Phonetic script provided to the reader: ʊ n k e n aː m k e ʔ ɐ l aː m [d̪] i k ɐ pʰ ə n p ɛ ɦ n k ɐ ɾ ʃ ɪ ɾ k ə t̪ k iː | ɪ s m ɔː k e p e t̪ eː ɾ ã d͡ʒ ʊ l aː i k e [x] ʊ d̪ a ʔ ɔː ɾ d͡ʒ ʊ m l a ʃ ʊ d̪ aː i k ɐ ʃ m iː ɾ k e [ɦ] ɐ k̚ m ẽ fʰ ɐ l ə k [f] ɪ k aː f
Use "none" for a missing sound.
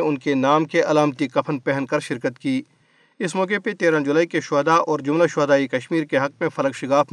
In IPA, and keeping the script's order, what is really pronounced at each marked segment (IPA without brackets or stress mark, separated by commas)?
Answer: t̪, ʃ, ɦ, ʃ